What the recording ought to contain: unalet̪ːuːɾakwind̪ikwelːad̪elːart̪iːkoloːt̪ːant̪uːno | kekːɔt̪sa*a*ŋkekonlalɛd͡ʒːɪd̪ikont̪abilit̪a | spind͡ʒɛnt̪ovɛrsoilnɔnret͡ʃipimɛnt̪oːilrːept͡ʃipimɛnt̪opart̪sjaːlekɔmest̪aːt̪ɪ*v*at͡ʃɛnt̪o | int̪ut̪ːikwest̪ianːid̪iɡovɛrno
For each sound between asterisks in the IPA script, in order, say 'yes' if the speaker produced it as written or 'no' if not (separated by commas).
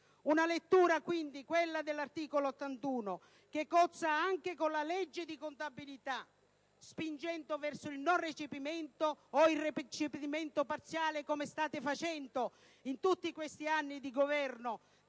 yes, no